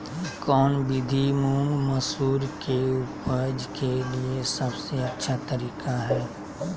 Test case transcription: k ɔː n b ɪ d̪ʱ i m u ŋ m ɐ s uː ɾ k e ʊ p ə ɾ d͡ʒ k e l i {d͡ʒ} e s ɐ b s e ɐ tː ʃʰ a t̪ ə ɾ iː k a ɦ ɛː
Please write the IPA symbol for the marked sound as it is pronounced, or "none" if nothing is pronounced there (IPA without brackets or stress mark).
none